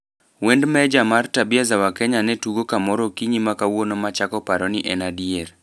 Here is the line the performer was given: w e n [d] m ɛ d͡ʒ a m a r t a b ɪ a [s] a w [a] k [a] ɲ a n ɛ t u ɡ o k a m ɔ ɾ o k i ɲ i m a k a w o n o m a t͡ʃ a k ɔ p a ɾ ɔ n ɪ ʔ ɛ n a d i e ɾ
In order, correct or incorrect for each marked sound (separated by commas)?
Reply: correct, incorrect, correct, incorrect